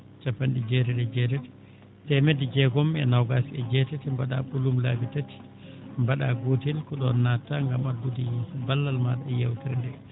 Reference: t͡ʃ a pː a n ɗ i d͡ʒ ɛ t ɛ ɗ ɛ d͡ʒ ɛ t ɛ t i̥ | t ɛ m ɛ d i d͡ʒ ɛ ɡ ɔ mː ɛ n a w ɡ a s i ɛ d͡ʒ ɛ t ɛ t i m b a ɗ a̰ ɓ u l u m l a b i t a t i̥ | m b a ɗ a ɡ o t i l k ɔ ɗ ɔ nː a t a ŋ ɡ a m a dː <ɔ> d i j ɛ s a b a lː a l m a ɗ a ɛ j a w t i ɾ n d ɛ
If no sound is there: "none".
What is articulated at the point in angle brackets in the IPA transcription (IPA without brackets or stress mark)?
u